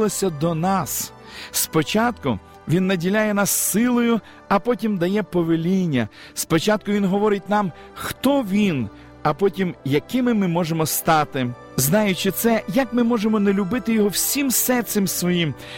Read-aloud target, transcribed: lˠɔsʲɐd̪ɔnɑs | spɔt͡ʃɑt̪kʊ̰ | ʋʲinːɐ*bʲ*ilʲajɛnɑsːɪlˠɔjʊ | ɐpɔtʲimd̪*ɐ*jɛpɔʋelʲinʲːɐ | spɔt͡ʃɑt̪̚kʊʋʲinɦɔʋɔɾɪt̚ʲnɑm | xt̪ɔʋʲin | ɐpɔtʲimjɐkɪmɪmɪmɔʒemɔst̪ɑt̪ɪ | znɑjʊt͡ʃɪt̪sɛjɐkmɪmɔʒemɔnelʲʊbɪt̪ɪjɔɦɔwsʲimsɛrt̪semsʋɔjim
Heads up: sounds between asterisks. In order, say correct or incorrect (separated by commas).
incorrect, correct